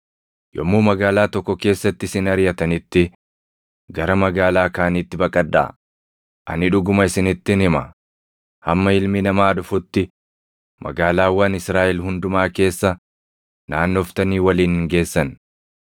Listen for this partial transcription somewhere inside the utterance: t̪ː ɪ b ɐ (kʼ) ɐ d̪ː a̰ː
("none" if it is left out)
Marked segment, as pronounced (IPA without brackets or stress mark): kʼ